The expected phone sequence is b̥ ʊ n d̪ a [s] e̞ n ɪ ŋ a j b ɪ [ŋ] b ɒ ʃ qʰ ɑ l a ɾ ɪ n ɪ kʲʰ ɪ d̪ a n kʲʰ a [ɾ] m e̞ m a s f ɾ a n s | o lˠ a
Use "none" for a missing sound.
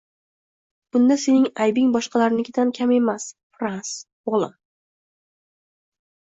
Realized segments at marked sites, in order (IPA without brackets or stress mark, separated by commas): s, ŋ, none